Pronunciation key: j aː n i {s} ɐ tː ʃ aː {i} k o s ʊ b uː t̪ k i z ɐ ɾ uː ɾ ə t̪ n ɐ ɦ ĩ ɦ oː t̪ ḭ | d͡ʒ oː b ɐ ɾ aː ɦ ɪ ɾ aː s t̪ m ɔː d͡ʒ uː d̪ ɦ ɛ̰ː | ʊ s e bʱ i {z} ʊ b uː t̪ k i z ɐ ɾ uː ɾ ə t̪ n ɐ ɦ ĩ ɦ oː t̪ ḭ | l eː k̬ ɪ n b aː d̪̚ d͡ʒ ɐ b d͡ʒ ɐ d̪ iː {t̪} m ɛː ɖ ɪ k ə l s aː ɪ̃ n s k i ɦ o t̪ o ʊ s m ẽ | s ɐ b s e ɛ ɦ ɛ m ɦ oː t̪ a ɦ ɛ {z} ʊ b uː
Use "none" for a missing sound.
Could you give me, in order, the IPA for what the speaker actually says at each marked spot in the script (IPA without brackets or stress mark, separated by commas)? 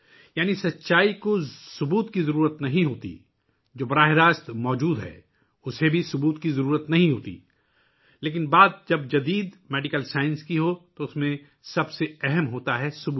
s, i, s, d̪, s